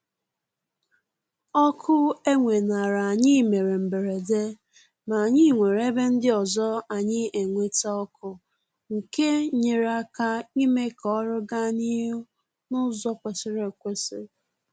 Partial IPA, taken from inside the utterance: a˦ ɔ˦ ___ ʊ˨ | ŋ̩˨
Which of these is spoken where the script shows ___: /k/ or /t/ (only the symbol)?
k